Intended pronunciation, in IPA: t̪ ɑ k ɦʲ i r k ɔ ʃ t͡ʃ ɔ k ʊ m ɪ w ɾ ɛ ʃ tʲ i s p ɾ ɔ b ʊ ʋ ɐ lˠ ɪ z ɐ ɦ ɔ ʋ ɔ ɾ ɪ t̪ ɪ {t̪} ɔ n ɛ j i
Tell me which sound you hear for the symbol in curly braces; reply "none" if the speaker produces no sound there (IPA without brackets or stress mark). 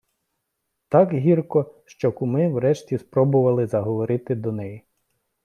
d̪